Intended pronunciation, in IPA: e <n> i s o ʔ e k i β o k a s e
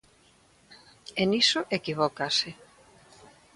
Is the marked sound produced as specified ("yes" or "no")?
yes